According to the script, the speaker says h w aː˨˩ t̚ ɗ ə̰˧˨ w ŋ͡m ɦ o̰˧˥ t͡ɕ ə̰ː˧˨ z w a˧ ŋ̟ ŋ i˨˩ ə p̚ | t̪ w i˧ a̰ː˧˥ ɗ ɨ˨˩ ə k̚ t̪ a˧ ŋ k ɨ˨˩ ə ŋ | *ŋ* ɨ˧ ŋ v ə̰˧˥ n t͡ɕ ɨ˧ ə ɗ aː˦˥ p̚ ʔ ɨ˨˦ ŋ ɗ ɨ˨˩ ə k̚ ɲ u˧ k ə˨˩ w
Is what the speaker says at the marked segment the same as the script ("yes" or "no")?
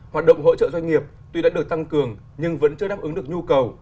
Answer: no